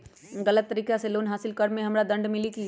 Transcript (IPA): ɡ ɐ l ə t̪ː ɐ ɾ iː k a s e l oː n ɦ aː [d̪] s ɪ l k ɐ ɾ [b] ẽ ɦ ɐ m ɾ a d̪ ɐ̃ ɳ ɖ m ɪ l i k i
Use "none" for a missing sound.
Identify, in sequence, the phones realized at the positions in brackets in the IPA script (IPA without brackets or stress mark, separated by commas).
none, m